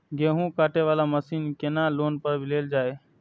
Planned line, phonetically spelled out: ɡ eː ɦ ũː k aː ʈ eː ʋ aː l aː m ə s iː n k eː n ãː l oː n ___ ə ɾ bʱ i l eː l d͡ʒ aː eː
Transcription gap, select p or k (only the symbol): p